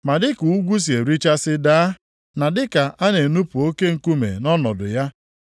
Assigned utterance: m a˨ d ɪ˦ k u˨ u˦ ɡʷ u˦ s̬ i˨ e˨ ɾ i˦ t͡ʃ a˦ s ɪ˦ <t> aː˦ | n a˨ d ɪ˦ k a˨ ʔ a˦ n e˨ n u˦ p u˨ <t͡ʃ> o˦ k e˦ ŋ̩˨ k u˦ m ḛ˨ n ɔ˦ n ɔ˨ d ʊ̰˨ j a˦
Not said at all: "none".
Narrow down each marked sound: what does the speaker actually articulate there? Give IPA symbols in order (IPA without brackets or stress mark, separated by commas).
d, none